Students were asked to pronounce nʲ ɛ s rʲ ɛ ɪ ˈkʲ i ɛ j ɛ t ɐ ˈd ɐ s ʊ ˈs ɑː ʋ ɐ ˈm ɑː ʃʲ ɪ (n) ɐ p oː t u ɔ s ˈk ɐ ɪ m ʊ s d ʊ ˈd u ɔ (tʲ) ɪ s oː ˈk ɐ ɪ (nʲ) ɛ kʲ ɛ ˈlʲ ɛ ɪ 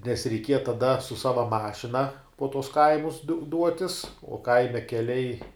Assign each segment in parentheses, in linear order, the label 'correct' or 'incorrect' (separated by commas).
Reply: correct, correct, incorrect